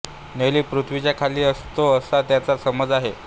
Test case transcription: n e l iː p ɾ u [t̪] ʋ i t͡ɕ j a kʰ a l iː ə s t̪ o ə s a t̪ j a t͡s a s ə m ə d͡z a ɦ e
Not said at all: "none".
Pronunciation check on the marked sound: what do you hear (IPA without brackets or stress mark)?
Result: t̪ʰ